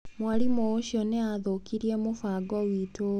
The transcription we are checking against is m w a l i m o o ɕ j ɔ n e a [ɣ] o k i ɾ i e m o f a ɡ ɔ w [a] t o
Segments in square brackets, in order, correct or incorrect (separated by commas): incorrect, incorrect